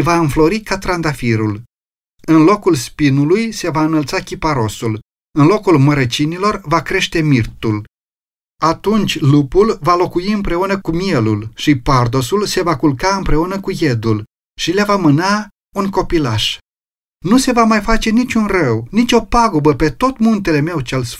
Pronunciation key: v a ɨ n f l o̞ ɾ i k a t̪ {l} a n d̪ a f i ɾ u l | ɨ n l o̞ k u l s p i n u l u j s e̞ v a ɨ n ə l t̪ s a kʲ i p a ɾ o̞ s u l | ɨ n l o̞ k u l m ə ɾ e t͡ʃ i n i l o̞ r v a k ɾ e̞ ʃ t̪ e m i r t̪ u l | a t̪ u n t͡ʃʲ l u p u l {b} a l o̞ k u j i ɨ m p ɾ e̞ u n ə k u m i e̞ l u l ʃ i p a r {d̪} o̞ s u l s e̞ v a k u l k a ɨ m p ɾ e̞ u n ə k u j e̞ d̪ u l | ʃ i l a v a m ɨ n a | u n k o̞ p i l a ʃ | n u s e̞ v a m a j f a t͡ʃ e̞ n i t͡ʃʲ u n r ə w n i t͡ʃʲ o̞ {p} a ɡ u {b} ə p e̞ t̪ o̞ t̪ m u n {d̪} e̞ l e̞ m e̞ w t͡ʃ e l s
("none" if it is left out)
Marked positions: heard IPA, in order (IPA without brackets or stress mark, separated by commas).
ɾ, v, d̪, p, b, t̪